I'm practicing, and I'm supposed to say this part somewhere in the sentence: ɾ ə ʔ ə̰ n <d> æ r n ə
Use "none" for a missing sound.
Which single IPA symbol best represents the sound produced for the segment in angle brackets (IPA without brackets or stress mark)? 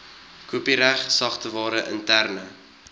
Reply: t